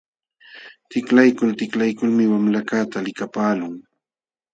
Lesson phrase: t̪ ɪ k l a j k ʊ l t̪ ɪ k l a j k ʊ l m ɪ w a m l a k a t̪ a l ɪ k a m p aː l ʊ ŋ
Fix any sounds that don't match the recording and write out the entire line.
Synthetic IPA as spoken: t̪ ɪ k l a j k ʊ l t̪ ɪ k l a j k ʊ l m ɪ w a m l a k a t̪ a l ɪ k a p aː l ʊ ŋ